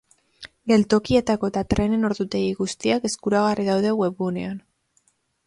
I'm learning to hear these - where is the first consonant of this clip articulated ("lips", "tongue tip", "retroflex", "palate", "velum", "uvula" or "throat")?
velum